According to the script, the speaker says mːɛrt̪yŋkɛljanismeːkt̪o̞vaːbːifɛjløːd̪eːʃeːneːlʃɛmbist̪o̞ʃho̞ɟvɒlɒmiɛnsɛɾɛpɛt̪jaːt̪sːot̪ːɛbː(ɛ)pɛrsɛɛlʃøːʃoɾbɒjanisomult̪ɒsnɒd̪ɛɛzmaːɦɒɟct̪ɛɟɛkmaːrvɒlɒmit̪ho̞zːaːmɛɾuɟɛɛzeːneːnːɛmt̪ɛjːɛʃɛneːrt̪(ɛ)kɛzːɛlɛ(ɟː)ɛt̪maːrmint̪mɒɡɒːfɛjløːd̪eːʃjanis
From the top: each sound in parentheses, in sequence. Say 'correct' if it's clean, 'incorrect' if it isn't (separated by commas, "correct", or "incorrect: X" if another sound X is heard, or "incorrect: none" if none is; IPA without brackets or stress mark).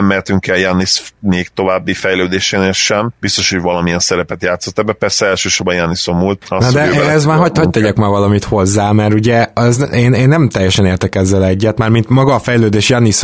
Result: correct, correct, correct